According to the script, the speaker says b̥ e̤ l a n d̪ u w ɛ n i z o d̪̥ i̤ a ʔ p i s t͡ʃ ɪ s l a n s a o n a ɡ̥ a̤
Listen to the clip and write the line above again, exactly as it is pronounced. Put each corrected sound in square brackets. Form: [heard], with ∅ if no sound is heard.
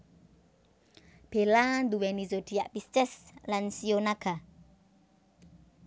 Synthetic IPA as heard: b̥ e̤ l a n d̪ u w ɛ n i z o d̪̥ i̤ a ʔ p i s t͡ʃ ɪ s l a n s [i] o n a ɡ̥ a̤